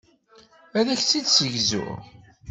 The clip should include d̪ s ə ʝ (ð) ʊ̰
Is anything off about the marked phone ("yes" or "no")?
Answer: yes